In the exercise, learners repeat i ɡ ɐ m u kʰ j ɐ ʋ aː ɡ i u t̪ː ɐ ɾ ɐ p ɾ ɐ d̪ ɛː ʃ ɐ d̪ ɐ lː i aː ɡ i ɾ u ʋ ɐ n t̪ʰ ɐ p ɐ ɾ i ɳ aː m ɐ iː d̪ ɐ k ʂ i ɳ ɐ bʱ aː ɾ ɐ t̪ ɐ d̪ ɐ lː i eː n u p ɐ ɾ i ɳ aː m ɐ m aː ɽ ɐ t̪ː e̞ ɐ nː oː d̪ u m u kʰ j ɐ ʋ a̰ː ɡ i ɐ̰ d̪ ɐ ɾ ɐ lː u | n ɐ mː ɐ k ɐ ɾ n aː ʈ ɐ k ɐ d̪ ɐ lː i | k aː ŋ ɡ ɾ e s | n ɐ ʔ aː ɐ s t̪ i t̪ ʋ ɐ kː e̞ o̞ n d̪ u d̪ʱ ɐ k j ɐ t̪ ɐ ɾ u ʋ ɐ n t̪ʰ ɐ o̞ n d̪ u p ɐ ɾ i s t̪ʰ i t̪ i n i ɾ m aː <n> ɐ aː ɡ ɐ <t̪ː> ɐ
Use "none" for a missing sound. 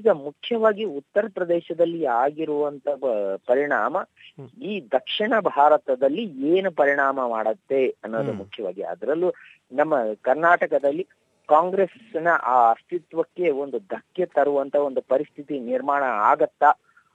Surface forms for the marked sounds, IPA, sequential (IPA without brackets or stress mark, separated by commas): ɳ, t̪ː